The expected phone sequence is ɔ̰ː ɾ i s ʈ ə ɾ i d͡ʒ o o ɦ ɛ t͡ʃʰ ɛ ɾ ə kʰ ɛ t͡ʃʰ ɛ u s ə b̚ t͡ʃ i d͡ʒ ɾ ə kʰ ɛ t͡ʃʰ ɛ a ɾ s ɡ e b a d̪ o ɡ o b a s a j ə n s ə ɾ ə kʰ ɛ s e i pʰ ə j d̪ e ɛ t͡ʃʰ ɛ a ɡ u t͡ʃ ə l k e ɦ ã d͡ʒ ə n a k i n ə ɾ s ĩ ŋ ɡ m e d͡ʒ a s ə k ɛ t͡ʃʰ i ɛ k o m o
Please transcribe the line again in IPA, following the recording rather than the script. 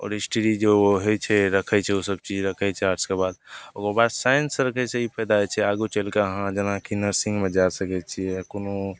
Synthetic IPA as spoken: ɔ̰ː ɾ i s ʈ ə ɾ i d͡ʒ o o ɦ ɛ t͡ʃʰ ɛ ɾ ə kʰ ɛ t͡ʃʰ ɛ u s ə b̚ t͡ʃ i d͡ʒ ɾ ə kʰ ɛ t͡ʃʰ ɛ a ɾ s k e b a d̪ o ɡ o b a s a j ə n s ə ɾ ə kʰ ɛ s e i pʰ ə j d̪ a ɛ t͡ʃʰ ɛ a ɡ u t͡ʃ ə l k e ɦ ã d͡ʒ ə n a k i n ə ɾ s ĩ ŋ ɡ m e d͡ʒ a s ə k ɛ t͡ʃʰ i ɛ k o n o